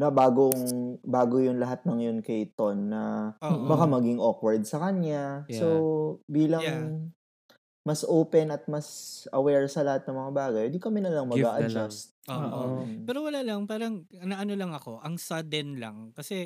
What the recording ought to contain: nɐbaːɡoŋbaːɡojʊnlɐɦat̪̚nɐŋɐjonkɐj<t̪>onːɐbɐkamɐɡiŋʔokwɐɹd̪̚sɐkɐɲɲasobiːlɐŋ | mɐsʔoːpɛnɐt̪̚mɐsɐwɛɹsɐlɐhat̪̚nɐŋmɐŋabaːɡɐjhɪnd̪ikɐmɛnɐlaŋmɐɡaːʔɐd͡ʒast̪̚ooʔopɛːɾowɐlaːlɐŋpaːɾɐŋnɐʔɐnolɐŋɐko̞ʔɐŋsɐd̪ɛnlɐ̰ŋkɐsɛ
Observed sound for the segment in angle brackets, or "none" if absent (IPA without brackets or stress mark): t̪